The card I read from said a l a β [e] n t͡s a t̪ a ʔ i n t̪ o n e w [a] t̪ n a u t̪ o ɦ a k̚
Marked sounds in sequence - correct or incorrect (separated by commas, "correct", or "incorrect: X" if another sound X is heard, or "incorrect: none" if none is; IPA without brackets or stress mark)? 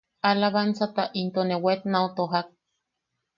incorrect: a, incorrect: e